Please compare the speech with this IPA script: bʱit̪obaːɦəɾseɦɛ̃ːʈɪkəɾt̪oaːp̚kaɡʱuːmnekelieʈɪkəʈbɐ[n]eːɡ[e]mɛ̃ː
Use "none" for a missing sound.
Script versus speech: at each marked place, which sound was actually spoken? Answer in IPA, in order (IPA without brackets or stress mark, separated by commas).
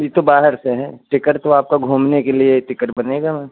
n, a